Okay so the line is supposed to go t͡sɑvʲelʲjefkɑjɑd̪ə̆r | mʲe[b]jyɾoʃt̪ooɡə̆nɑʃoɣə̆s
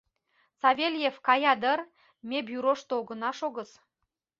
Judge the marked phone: correct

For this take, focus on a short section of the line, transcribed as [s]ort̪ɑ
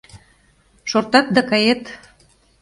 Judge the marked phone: incorrect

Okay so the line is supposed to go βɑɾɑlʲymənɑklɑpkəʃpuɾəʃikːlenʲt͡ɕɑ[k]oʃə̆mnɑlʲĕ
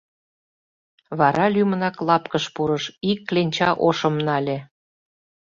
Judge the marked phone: incorrect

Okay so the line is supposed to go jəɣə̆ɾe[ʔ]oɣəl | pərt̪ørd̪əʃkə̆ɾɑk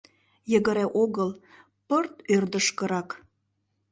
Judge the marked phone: correct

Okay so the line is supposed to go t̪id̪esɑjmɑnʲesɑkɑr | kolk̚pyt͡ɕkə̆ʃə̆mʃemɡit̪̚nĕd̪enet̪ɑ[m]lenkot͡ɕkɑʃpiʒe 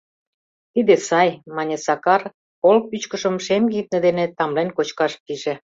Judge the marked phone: correct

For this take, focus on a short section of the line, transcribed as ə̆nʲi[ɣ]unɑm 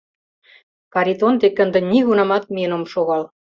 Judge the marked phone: correct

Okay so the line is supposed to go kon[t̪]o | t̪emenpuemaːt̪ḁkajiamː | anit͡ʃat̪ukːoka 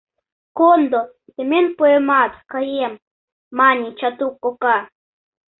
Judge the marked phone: incorrect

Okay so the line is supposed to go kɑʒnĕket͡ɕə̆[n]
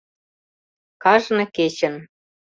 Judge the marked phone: correct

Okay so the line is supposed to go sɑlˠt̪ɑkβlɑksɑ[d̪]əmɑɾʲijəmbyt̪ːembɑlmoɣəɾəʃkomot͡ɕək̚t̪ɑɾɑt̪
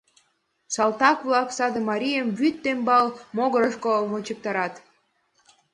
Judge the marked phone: correct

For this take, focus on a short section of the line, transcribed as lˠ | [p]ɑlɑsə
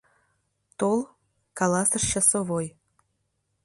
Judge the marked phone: incorrect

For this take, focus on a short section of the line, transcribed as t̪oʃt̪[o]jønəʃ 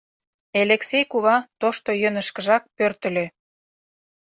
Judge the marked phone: correct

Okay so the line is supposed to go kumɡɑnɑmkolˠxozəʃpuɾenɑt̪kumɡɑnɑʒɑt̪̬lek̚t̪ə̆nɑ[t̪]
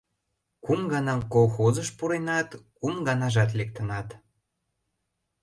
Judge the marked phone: correct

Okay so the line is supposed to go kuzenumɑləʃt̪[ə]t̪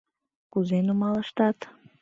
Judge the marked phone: incorrect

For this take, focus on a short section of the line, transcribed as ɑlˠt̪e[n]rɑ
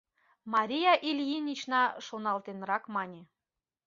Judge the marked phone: correct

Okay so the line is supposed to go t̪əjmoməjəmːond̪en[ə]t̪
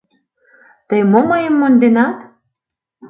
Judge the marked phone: incorrect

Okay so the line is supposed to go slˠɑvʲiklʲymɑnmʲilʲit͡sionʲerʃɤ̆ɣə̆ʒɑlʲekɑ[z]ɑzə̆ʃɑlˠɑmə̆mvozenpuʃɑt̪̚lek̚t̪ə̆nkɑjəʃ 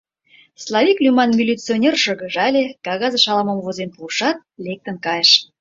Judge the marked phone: incorrect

